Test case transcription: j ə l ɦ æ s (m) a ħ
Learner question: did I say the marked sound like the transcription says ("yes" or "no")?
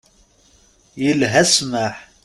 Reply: yes